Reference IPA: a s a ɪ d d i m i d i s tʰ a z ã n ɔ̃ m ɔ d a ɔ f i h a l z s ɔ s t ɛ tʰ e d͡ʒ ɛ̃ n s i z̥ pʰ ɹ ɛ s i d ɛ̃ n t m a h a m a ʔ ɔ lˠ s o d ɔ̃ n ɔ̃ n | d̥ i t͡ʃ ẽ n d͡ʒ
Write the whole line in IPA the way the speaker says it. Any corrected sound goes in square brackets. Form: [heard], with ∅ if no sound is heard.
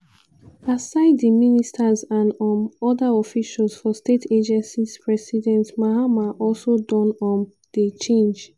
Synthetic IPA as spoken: a s a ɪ d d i m i [n] i s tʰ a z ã n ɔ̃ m ɔ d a ɔ f i [ʃ] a l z [f] ɔ s t [e] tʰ e d͡ʒ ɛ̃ n s i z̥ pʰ ɹ ɛ s i d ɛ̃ n t m a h a m a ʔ ɔ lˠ s o d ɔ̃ n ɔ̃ n | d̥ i t͡ʃ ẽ n d͡ʒ